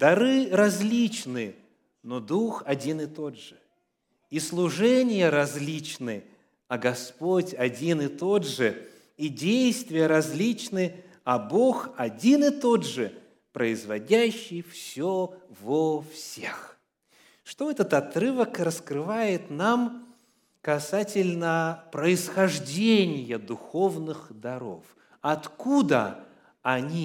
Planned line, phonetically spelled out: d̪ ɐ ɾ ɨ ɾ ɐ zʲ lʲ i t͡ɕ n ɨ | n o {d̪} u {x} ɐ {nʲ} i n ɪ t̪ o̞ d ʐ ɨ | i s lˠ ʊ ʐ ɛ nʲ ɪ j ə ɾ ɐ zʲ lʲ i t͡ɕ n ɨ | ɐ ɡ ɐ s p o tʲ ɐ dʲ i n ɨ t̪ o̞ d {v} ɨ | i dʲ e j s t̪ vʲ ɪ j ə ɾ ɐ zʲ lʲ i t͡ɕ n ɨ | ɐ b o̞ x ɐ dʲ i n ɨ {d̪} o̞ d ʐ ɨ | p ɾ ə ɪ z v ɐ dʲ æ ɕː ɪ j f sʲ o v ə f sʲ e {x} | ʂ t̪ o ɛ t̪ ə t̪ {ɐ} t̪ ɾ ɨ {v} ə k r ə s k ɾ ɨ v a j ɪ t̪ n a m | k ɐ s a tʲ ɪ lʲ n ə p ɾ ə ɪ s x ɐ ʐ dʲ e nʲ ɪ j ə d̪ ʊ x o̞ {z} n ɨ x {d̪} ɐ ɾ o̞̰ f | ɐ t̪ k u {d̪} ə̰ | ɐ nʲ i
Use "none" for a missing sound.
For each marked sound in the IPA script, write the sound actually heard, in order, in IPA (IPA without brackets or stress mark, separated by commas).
d̪, x, dʲ, ʐ, t̪, x, ɐ, v, v, d̪, d̪